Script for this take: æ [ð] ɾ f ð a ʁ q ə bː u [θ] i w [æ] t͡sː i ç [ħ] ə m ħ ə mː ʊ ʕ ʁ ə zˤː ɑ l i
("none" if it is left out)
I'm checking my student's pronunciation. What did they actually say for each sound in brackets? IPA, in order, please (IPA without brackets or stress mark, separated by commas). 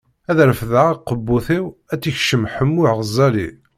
ð, θ, æ, ʃ